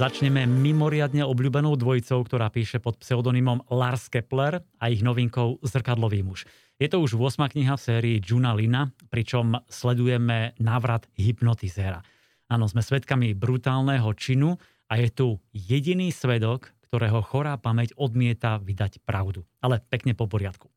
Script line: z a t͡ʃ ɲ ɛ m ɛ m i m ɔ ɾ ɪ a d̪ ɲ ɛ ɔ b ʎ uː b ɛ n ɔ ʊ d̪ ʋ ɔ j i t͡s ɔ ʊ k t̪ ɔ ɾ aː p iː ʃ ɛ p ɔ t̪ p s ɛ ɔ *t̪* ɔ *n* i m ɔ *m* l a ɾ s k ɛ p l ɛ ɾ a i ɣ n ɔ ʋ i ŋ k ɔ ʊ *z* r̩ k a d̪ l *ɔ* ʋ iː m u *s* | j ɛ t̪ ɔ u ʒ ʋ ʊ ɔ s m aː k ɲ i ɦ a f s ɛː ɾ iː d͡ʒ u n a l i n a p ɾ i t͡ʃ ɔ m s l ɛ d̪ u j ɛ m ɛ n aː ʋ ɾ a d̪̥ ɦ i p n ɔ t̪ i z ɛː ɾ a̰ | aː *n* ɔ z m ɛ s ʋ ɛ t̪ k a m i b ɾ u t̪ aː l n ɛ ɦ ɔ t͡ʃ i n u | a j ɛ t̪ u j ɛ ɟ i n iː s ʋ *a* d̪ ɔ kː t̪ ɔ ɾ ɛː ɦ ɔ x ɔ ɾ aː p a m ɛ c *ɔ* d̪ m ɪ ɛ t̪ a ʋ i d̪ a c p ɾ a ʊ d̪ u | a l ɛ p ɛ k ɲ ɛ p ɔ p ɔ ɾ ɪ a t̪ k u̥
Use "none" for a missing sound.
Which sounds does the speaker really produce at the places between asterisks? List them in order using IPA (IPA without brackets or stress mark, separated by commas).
d̪, n, m, z, ɔ, ʃ, n, ɛ, ɔ